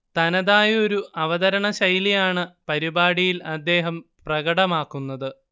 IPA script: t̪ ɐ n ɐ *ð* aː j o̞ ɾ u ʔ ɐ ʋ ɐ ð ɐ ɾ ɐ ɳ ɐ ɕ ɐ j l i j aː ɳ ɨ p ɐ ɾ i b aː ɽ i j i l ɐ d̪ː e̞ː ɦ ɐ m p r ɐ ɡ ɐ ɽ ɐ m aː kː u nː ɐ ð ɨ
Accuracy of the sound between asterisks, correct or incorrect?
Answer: correct